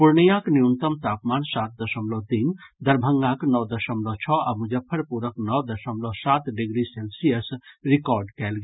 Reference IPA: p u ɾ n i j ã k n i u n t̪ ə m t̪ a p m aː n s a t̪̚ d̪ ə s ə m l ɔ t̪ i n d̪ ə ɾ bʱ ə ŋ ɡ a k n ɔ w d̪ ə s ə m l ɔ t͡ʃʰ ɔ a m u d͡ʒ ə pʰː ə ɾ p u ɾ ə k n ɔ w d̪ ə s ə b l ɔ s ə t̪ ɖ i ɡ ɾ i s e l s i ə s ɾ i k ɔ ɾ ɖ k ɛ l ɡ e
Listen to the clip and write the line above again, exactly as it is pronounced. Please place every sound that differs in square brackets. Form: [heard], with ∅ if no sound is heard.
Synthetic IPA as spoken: p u ɾ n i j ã k n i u n t̪ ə m t̪ a p m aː n s a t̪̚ d̪ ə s ə m l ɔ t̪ i n d̪ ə ɾ bʱ ə ŋ ɡ a k n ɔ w d̪ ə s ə m l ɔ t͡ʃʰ ɔ a m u d͡ʒ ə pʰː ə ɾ p u ɾ ə k n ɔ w d̪ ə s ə [m] l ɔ s [a] t̪ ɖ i ɡ ɾ i s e l s i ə s ɾ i k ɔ ɾ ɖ k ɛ l ɡ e